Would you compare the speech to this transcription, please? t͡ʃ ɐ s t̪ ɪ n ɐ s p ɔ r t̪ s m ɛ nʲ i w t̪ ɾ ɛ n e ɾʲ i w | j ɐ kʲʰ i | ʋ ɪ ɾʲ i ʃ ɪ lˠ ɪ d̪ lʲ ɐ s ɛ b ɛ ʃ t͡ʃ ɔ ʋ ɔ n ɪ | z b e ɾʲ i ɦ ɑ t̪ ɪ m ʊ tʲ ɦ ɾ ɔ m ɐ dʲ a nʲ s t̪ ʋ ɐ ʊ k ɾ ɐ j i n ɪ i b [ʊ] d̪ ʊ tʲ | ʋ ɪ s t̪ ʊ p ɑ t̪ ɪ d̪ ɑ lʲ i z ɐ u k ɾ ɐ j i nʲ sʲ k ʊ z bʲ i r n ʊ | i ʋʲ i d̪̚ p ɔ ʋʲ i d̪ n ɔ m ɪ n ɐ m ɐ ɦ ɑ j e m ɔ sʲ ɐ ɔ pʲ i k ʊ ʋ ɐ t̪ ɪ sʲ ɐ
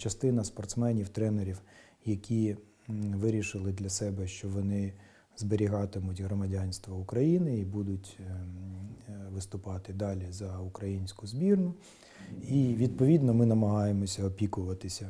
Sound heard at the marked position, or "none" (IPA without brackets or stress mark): u